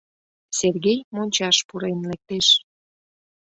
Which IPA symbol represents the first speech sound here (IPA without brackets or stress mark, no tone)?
s